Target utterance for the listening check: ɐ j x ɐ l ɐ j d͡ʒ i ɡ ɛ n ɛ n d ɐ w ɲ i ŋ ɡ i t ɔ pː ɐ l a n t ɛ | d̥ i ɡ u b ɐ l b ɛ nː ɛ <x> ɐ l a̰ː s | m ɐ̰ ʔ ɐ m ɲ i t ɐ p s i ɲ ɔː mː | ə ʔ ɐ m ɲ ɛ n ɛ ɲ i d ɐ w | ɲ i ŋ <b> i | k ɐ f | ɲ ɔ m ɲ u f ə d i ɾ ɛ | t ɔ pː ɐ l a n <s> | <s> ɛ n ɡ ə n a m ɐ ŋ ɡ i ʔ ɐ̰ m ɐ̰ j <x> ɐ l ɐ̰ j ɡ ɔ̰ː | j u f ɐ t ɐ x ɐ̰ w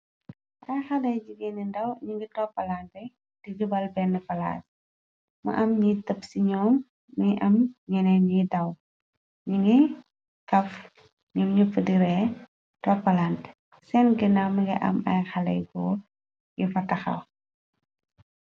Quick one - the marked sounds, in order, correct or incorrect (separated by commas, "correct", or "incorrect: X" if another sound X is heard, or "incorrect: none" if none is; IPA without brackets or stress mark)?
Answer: incorrect: f, incorrect: ɡ, incorrect: t, correct, correct